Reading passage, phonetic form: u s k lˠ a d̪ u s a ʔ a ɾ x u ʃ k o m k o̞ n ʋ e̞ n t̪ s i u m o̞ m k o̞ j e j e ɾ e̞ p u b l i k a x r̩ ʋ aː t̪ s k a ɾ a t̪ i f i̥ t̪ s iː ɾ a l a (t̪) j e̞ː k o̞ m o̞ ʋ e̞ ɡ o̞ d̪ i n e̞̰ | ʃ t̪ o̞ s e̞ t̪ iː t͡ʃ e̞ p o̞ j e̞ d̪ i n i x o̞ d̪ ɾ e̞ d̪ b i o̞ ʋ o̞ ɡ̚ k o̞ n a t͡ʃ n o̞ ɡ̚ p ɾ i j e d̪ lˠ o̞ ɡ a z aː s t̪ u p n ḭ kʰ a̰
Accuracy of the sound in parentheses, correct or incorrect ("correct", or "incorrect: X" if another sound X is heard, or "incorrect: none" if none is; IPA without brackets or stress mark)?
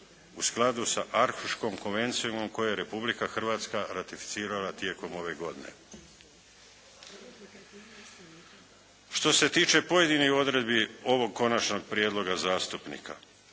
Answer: correct